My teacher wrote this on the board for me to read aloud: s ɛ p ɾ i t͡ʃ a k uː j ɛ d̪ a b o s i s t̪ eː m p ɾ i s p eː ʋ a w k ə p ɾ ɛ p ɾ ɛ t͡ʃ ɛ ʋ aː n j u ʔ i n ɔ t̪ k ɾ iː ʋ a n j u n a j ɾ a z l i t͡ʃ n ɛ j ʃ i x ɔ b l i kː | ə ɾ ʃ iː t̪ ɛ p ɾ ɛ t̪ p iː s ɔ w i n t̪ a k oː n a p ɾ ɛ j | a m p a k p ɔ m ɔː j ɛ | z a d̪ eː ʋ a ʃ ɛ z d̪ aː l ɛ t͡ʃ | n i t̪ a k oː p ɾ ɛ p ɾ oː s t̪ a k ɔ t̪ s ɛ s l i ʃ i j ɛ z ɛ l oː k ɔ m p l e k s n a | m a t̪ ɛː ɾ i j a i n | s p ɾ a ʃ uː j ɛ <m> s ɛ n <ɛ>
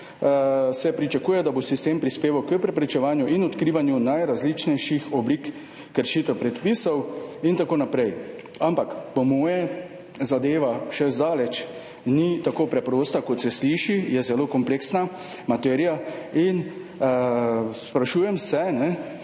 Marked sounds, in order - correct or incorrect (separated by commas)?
correct, correct